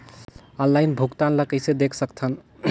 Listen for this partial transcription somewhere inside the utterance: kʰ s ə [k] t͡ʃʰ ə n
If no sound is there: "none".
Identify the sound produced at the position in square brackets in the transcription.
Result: k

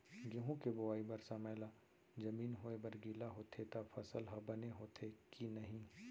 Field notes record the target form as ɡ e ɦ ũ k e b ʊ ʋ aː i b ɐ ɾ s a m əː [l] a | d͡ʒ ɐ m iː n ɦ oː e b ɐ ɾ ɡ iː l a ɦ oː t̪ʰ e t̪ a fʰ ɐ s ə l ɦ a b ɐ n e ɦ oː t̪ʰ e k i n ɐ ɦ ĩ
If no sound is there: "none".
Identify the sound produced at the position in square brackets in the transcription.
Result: l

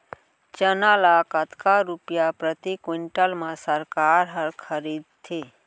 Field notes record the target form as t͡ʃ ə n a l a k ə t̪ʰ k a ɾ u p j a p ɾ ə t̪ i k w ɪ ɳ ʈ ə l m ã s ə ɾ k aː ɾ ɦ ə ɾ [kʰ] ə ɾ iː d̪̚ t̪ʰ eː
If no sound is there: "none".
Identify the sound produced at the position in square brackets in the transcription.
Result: kʰ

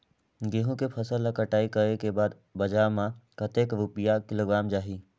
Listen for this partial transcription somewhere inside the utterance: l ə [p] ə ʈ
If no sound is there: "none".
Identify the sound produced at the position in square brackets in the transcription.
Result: k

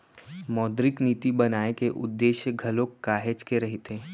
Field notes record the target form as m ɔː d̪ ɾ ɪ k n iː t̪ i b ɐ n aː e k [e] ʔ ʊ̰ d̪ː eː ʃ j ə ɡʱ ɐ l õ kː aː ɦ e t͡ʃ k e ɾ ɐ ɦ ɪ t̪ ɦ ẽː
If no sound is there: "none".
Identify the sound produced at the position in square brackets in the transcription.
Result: e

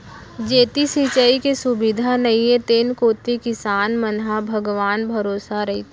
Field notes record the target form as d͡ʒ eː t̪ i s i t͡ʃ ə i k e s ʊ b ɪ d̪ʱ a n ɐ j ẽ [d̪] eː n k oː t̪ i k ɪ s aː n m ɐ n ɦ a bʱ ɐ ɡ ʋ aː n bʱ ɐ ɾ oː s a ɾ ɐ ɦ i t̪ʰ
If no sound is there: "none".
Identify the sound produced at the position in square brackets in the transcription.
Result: t̪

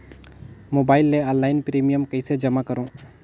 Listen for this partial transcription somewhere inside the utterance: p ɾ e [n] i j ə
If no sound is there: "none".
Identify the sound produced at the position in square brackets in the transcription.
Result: m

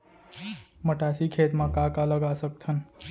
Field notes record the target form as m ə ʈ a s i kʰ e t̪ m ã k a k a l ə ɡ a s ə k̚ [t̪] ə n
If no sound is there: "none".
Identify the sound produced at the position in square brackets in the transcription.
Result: t̪ʰ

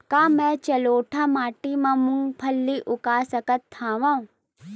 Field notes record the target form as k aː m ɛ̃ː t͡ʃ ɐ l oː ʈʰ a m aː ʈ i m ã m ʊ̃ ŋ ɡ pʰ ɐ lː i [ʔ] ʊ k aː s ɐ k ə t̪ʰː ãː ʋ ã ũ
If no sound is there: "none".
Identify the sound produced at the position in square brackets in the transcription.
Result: ʔ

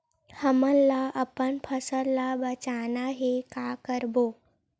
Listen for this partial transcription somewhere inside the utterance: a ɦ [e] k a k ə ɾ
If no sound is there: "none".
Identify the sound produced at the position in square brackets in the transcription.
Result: e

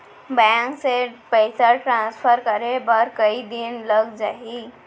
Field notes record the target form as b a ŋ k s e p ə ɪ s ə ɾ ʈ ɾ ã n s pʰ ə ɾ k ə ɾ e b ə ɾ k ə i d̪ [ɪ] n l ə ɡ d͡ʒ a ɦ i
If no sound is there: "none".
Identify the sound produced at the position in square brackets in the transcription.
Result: i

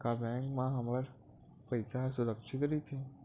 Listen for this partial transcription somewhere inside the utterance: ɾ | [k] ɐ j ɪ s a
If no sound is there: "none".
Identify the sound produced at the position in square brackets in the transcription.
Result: p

